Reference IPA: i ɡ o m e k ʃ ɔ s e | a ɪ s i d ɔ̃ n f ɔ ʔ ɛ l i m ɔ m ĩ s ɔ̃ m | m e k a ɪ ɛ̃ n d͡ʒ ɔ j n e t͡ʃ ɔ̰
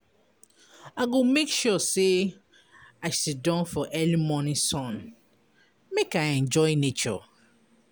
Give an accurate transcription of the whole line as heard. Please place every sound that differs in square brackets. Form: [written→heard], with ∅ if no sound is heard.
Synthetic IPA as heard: [i→a] ɡ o m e k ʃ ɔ s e | a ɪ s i d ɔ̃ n f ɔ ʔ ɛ l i m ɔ [m→n] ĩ s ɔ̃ [m→n] | m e k a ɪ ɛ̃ n d͡ʒ ɔ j n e t͡ʃ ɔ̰